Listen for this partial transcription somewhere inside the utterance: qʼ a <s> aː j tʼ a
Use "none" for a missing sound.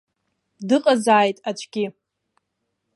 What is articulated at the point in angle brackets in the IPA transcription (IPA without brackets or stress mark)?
z